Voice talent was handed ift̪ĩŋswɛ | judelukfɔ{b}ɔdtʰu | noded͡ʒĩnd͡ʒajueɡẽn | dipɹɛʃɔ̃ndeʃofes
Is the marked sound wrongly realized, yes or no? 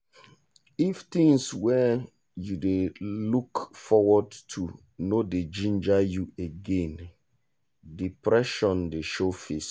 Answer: yes